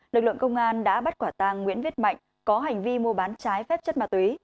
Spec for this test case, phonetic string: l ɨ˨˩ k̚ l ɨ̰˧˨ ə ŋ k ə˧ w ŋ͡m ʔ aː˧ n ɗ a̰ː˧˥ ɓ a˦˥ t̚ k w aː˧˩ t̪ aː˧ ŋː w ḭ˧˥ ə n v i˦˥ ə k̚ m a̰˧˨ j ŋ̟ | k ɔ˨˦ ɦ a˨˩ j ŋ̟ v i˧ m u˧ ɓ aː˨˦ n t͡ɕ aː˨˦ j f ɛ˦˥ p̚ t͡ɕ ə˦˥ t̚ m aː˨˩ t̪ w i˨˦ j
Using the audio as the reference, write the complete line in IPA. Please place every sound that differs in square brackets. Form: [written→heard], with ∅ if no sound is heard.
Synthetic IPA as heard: l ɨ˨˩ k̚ l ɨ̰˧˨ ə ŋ k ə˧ w ŋ͡m ʔ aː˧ n ɗ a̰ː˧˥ ɓ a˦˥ t̚ k w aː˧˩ t̪ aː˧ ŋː w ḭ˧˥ ə n v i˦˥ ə [k̚→t̚] m a̰˧˨ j ŋ̟ | k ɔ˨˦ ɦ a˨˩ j ŋ̟ v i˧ m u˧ ɓ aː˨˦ n t͡ɕ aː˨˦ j f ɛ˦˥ p̚ t͡ɕ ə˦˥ t̚ m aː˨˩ t̪ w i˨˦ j